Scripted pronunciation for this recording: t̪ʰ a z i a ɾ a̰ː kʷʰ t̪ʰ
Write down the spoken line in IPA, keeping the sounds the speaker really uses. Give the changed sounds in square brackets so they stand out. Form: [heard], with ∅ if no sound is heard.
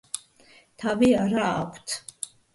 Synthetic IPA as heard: t̪ʰ a [v] i a ɾ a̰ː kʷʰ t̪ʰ